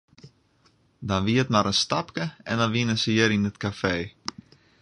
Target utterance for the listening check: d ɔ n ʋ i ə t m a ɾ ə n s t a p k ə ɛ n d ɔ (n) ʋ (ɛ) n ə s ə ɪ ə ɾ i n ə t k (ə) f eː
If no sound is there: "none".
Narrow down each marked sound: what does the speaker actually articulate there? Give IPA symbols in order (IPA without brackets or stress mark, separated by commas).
n, i, a